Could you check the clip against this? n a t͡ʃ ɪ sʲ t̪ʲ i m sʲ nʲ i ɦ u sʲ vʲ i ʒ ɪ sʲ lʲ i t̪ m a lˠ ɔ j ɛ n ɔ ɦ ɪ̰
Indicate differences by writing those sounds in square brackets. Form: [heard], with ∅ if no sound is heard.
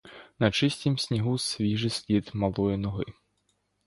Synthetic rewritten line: n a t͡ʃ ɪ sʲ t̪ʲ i m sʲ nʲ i ɦ u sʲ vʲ i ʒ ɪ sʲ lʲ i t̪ m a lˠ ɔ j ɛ n ɔ ɦ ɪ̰

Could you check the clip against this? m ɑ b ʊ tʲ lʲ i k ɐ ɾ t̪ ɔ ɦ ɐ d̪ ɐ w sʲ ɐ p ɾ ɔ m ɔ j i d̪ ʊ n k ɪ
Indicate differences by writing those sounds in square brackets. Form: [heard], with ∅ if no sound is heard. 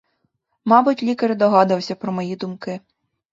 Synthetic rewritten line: m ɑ b ʊ tʲ lʲ i k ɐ ɾ [d̪] ɔ ɦ [ɑ] d̪ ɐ w sʲ ɐ p ɾ ɔ m ɔ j i d̪ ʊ [m] k ɪ

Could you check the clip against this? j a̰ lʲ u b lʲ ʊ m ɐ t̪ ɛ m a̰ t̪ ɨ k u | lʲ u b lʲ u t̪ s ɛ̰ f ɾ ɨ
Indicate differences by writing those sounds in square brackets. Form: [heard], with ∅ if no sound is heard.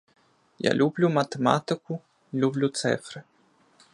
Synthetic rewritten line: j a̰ lʲ u b lʲ [u] m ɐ t̪ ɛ m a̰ t̪ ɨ k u | lʲ u b lʲ u t̪ s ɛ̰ f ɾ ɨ

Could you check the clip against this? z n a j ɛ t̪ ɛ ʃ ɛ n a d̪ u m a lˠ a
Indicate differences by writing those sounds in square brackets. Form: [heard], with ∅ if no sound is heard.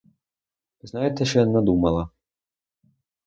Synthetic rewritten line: z n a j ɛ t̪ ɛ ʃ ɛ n a d̪ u m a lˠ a

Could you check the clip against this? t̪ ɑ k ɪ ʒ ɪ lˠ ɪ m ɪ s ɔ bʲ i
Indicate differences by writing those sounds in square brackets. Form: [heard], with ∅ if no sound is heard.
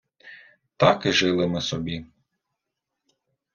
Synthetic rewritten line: t̪ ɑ k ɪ ʒ ɪ lˠ ɪ m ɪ s ɔ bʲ i

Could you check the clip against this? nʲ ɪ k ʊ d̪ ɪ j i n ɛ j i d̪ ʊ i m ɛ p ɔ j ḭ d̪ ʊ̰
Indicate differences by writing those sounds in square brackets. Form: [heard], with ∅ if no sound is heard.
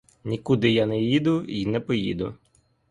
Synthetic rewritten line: nʲ [i] k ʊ d̪ ɪ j [a] n ɛ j i d̪ ʊ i [n] ɛ p ɔ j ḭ d̪ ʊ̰

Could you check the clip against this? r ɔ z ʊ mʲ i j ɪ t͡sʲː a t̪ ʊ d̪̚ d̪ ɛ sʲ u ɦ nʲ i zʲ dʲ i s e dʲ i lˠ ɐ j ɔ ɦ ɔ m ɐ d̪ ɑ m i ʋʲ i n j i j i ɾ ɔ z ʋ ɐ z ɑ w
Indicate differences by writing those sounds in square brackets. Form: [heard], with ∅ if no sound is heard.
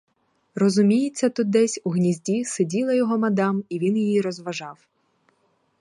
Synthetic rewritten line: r ɔ z ʊ mʲ i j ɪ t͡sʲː [ɐ] t̪ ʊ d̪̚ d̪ ɛ sʲ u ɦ nʲ i zʲ dʲ i s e dʲ i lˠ ɐ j ɔ ɦ ɔ m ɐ d̪ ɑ m i ʋʲ i n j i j i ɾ ɔ z ʋ ɐ [ʒ] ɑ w

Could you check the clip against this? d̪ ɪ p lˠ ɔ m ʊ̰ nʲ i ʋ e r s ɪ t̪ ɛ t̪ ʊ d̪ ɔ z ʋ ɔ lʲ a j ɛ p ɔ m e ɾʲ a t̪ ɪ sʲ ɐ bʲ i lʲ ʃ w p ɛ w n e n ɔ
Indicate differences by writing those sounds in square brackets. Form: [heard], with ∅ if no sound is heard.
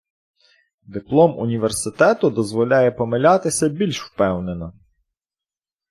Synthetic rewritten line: d̪ ɪ p lˠ ɔ m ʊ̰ nʲ i ʋ e r s ɪ t̪ ɛ t̪ ʊ d̪ ɔ z ʋ ɔ lʲ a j ɛ p ɔ m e [lʲ] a t̪ ɪ sʲ ɐ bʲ i lʲ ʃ w p ɛ w n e n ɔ

